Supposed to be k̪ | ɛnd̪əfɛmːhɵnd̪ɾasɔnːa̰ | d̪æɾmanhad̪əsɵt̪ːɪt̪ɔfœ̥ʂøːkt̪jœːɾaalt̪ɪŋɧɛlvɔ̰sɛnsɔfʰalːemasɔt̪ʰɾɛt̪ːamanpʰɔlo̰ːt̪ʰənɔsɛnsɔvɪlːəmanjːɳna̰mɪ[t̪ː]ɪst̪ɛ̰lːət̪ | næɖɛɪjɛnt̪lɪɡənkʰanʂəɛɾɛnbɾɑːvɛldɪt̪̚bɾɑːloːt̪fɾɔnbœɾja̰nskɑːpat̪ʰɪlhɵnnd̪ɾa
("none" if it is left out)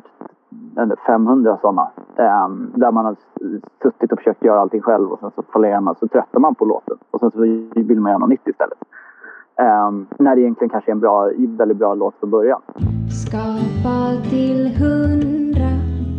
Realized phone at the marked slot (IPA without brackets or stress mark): t̪ː